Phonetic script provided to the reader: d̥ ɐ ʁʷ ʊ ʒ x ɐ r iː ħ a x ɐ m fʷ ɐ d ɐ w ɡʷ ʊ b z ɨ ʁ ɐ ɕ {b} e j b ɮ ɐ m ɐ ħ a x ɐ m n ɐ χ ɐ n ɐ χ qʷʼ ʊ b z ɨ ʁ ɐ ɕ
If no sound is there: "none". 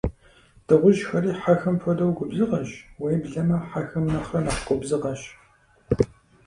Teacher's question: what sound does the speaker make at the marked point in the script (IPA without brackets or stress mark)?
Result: w